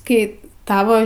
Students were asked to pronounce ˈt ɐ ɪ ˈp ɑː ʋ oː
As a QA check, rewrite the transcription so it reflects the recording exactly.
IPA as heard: ˈk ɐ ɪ ˈt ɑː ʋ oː